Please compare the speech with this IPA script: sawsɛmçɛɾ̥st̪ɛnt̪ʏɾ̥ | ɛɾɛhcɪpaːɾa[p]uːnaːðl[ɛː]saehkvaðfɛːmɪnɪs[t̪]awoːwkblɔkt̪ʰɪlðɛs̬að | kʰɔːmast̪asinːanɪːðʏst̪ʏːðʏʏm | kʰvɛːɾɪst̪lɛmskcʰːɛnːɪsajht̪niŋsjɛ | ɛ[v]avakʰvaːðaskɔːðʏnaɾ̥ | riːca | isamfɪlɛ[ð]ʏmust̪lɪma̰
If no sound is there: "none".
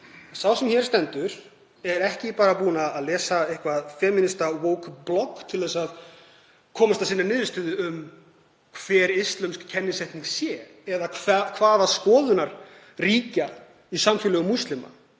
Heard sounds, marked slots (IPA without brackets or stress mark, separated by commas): p, ɛː, t̪, ð, ɣ